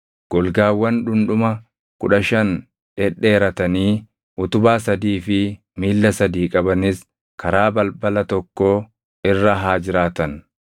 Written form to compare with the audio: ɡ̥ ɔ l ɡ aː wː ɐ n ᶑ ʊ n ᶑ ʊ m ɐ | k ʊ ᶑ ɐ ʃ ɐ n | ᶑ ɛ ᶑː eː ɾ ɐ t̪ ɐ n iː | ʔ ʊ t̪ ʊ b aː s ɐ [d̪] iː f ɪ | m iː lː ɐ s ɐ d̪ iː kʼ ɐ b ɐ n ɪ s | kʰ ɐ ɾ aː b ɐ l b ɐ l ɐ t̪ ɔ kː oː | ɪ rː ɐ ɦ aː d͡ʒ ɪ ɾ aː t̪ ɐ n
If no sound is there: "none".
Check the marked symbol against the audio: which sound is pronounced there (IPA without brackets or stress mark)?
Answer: d̪